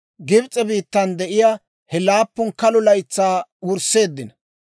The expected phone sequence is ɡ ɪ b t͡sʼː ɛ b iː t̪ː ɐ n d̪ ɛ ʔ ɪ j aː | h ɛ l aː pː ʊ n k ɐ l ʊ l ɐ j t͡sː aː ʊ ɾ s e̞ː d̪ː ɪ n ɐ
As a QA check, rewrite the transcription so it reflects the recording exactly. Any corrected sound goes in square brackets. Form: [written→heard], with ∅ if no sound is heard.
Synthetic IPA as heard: ɡ ɪ b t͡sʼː ɛ b iː t̪ː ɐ n d̪ ɛ ʔ ɪ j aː | h ɛ l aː pː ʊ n k ɐ l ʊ l ɐ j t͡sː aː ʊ ɾ s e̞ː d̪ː ɪ n ɐ